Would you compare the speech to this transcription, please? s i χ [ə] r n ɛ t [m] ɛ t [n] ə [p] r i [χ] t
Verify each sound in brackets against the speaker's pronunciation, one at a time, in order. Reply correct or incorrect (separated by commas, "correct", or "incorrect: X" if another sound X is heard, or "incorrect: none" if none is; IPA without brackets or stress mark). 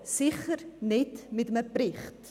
correct, correct, incorrect: m, correct, correct